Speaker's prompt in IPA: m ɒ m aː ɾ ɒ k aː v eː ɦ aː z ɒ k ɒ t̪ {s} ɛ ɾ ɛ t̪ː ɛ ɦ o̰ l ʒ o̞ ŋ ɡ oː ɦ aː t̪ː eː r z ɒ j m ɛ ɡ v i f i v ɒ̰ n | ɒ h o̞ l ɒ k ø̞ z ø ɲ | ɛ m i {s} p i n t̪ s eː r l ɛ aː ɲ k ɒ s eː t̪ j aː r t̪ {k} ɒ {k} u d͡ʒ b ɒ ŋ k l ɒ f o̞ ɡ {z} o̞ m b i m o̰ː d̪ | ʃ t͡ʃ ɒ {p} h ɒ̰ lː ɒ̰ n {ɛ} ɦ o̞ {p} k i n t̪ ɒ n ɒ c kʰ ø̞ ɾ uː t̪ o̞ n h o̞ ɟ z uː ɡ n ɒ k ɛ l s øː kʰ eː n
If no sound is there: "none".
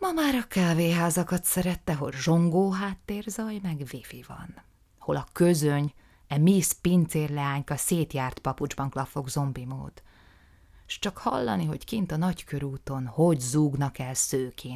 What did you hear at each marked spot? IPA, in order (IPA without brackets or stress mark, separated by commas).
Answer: s, s, p, p, z, k, i, c